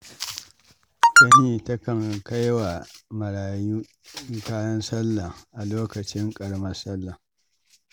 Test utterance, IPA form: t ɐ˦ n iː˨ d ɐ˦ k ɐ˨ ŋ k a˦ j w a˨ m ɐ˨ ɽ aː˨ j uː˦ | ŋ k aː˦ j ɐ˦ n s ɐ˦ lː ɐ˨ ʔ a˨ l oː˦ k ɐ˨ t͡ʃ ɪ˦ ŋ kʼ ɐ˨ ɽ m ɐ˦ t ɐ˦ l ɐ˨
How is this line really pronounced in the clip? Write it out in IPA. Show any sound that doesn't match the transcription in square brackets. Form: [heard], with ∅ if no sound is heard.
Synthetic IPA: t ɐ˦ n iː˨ [t] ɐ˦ k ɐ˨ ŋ k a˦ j w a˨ m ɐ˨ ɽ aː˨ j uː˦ | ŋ k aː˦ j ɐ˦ n s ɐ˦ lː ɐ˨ ʔ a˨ l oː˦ k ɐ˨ t͡ʃ ɪ˦ ŋ kʼ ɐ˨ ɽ m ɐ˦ [s] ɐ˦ [lː] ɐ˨